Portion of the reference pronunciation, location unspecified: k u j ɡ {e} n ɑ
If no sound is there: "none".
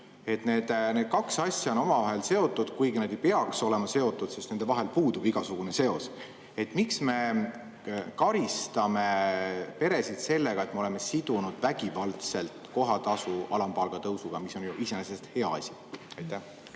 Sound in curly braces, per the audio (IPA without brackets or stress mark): i